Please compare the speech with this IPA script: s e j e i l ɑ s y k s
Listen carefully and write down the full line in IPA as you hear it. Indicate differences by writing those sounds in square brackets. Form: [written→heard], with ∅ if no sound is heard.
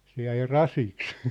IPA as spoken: s e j [e→æ] i [l→r] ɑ s [y→i] k s